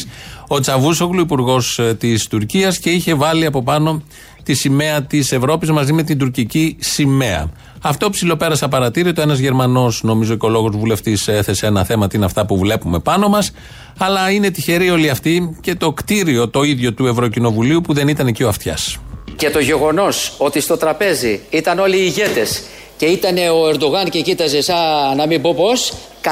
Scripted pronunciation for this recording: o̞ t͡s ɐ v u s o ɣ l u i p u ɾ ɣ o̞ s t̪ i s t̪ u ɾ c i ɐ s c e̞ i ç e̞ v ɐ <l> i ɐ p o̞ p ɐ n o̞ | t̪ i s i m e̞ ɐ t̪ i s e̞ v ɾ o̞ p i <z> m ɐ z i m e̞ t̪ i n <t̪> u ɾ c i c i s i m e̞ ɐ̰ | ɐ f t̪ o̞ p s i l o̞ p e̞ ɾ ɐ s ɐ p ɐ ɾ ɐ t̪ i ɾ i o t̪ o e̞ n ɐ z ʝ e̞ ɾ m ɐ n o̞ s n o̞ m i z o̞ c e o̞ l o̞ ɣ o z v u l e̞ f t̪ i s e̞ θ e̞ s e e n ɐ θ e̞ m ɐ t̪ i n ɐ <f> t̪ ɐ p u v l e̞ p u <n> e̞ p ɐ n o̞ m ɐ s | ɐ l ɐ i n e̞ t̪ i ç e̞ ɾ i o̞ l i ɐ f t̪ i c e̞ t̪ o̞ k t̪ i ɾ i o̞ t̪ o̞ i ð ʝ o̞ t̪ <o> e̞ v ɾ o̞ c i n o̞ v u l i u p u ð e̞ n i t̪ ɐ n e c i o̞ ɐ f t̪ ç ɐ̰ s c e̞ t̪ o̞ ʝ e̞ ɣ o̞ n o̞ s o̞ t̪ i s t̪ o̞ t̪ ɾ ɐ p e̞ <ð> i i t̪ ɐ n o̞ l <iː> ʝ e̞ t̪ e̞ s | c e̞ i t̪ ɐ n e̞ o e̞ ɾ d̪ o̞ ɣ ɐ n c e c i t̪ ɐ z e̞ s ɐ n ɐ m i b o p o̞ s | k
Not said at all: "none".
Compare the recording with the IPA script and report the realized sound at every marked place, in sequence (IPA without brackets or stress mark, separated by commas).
l, z, d̪, f, m, u, z, iː